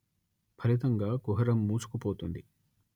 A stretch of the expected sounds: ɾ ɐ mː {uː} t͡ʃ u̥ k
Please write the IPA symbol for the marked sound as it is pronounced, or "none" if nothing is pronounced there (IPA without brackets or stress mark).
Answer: uː